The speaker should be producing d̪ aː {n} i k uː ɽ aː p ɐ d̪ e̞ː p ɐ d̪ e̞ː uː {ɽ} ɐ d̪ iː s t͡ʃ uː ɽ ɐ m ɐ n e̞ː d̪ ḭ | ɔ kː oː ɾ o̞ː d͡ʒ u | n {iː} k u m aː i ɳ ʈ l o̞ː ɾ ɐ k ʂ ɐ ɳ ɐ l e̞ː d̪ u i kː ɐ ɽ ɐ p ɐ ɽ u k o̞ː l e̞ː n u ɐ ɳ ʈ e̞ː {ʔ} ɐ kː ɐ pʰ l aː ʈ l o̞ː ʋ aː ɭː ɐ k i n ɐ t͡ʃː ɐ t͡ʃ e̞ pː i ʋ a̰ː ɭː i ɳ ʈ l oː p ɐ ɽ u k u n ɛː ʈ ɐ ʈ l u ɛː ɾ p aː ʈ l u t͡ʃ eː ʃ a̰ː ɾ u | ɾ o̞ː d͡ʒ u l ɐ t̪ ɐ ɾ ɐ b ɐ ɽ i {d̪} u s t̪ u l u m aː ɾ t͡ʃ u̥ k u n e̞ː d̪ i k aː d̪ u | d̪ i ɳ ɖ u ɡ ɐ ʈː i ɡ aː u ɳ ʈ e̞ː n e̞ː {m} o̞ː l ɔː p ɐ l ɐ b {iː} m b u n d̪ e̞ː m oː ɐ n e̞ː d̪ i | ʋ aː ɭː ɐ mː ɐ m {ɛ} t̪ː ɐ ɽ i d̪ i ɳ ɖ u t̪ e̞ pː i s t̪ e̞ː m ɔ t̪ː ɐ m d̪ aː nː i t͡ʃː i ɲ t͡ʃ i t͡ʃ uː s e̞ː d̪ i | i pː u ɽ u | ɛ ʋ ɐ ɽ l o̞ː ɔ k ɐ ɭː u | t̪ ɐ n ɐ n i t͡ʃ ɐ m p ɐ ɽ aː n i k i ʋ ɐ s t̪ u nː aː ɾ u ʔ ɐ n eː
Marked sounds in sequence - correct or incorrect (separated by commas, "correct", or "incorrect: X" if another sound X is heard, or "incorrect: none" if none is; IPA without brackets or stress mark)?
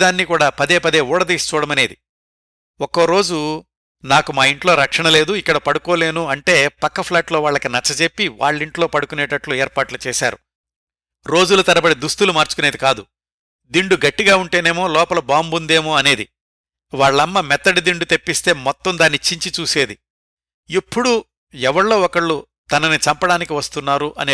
incorrect: nː, correct, incorrect: aː, incorrect: p, correct, correct, incorrect: aː, correct